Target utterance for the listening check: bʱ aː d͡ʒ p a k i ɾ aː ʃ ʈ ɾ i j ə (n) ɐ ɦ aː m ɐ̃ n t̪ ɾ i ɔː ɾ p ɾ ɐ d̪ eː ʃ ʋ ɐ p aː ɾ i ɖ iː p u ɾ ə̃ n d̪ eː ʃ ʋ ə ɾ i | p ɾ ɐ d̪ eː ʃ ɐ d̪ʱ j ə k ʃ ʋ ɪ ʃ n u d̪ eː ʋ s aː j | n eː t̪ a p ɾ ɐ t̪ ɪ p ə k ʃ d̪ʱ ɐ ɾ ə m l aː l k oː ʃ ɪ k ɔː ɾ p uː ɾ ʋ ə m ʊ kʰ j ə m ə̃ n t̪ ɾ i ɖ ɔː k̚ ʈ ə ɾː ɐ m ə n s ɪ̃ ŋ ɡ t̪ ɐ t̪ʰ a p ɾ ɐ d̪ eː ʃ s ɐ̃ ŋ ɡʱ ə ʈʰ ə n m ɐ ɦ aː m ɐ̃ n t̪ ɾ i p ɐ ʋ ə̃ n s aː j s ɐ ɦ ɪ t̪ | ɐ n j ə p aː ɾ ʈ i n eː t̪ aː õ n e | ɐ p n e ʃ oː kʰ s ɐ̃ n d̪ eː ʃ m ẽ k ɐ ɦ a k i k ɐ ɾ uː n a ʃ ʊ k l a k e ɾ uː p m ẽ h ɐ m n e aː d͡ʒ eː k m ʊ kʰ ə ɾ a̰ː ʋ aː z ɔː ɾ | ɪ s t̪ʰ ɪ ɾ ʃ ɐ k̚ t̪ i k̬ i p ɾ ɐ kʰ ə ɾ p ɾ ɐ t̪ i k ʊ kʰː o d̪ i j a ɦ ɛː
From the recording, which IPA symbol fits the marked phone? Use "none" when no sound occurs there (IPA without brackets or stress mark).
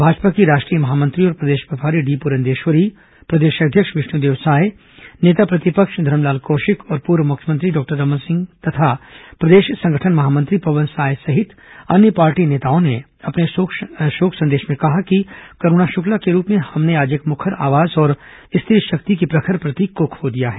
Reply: m